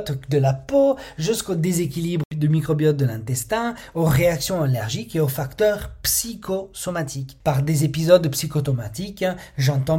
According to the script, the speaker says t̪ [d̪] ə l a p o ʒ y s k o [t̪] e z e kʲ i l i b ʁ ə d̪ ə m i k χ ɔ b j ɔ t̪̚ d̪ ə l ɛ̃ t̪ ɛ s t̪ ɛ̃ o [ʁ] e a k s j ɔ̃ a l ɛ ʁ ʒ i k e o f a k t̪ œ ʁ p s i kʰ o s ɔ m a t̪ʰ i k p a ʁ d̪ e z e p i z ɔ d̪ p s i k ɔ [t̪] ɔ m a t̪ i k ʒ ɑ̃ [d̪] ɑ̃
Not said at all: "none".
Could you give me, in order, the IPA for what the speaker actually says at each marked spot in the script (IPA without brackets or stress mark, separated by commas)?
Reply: d̪, d̪, ʁ, t̪, t̪